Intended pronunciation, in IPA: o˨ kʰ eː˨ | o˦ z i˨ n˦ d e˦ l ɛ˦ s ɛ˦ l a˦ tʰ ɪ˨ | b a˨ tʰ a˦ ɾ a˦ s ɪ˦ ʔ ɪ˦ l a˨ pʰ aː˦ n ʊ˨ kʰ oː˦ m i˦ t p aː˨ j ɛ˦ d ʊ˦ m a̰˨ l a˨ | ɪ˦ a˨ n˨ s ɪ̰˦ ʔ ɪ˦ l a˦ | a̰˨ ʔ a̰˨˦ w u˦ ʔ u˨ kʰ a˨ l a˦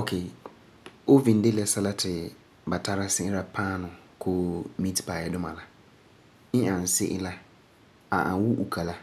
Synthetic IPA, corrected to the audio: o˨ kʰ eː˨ | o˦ v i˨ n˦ d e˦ l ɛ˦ s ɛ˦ l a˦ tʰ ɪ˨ | b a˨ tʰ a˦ ɾ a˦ s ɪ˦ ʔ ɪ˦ l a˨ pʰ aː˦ n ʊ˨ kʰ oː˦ m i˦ t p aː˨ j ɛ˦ d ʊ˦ m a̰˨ l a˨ | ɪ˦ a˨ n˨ s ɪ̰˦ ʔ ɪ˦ l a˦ | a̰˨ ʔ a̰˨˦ w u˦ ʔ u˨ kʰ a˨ l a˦